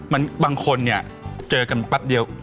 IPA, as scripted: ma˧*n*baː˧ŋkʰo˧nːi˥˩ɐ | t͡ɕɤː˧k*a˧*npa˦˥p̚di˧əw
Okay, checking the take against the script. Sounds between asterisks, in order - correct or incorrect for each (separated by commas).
correct, correct